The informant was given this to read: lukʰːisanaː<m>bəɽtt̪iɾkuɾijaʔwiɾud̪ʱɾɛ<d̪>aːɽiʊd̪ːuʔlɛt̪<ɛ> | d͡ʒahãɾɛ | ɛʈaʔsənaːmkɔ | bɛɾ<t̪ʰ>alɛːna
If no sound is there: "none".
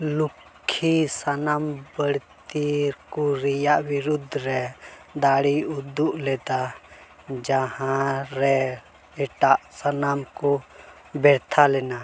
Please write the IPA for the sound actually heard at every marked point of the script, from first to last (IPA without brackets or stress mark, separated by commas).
m, d̪, a, t̪ʰ